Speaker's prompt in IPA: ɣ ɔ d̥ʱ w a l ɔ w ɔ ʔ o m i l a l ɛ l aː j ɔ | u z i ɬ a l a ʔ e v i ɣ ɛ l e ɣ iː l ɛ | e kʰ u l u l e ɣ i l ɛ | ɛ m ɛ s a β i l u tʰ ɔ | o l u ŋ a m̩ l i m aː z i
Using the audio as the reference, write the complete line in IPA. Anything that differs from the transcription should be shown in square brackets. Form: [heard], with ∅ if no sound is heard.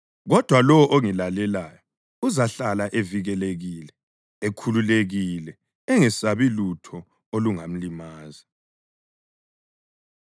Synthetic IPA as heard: ɣ ɔ d̥ʱ w a l ɔ w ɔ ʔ o [ŋ] i l a l ɛ l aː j ɔ | u z [a] ɬ a l a ʔ e v i ɣ ɛ l e ɣ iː l ɛ | e kʰ u l u l e ɣ i l ɛ | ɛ [ŋ] ɛ s a β i l u tʰ ɔ | o l u ŋ a m̩ l i m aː z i